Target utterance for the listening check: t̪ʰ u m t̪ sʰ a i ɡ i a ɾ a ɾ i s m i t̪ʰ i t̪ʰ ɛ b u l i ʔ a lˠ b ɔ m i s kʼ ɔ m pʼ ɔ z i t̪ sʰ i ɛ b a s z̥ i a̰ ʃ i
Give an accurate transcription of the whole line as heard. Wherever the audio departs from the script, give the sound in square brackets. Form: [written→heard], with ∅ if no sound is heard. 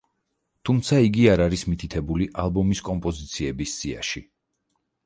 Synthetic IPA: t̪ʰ u m t̪ sʰ a i ɡ i a ɾ a ɾ i s m i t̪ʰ i t̪ʰ ɛ b u l i ʔ a lˠ b ɔ m i s kʼ ɔ m pʼ ɔ z i t̪ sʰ i ɛ b [a→i] s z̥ i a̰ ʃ i